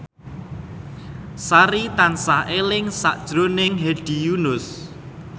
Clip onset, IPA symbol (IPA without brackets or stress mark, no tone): s